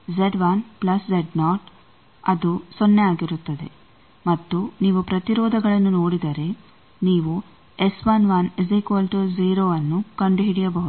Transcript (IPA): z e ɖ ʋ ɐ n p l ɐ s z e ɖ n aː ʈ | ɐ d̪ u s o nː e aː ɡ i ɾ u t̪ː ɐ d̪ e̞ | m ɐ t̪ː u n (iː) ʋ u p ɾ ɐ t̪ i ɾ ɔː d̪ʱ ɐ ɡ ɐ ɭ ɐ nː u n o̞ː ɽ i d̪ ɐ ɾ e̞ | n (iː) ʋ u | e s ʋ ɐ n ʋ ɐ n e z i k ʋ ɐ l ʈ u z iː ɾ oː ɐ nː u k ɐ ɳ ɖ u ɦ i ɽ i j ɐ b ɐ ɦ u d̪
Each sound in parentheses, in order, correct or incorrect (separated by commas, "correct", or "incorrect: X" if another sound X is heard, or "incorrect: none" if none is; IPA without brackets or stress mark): correct, correct